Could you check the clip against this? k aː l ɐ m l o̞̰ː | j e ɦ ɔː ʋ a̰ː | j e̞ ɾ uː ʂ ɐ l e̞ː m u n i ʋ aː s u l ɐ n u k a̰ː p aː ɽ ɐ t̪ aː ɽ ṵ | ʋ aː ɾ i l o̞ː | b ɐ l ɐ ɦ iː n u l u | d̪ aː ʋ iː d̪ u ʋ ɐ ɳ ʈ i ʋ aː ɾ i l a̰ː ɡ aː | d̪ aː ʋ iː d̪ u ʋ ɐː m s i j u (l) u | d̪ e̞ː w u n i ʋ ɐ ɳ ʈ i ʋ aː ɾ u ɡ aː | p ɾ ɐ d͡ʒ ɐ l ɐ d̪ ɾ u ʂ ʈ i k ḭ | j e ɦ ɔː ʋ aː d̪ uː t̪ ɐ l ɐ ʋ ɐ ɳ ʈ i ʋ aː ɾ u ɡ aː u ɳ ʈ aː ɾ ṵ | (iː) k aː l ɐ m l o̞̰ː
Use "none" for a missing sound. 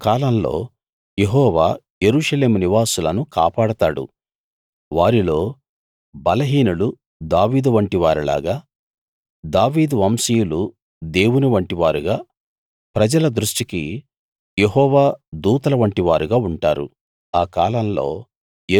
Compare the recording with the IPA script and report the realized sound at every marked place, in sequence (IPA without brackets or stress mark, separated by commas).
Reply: l, aː